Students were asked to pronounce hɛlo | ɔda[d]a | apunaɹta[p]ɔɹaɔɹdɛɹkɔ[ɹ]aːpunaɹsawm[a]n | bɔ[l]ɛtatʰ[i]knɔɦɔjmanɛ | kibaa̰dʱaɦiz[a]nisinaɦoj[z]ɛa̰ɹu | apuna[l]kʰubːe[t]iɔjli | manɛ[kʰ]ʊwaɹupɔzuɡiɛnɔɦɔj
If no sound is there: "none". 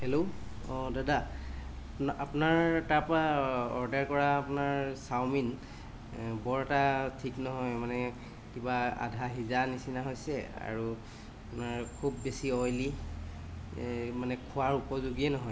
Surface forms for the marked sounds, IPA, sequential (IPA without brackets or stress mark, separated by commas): d, p, ɹ, i, ɹ, i, a, s, ɹ, s, kʰ